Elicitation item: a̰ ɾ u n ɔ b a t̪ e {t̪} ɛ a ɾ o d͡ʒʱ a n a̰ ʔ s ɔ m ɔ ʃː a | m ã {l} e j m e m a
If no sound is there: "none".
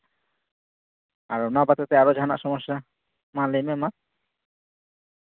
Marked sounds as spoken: t̪, l

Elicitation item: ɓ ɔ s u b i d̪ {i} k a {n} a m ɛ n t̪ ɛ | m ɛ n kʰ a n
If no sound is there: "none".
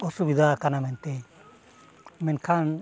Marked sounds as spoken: a, n

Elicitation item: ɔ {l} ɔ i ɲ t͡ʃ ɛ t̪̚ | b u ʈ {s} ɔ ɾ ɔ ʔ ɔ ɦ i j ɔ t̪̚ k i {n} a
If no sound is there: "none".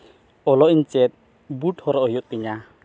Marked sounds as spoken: l, h, ɲ

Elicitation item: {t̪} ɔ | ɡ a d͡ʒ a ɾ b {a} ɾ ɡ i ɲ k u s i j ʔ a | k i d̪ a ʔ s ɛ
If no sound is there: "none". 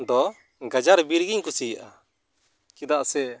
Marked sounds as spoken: d̪, i

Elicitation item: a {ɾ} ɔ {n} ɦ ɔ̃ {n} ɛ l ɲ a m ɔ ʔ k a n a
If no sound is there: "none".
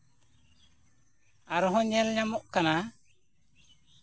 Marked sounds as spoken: ɾ, none, ɲ

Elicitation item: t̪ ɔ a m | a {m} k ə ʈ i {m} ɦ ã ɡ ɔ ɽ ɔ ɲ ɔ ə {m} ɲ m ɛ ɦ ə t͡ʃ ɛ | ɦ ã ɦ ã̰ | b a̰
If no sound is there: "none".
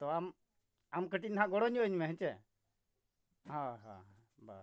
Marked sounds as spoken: m, n, none

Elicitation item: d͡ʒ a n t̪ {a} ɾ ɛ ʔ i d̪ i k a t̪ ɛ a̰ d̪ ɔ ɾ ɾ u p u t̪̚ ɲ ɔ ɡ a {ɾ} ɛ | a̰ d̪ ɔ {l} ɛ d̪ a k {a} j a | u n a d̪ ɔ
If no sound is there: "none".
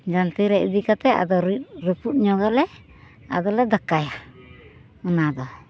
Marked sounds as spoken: i, l, l, a

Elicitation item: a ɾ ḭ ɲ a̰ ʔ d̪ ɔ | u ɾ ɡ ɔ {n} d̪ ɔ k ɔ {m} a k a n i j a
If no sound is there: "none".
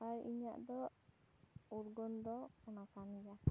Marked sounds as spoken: n, n

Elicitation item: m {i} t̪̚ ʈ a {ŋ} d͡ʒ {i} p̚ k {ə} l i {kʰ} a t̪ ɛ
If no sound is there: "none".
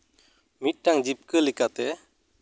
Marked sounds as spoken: i, ŋ, i, ə, k

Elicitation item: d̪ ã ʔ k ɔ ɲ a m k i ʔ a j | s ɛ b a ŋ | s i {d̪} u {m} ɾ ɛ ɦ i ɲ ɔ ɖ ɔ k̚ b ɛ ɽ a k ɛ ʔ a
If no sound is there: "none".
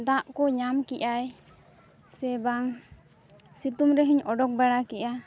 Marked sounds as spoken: t̪, m

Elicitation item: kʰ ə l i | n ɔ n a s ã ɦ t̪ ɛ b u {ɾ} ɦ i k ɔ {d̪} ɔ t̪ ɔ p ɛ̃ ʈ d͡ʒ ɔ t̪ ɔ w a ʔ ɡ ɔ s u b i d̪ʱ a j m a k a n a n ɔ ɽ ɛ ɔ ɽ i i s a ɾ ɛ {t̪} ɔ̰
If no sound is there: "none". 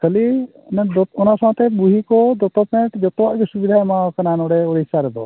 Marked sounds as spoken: none, d̪, d̪

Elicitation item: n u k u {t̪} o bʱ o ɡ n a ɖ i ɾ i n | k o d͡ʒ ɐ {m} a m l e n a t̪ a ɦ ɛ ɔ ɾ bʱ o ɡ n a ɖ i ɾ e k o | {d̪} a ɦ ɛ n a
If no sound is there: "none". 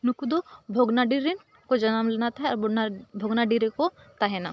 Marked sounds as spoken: d̪, n, t̪

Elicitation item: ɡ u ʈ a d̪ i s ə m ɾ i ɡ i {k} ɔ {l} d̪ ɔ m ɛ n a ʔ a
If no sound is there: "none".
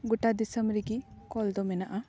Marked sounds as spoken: k, l

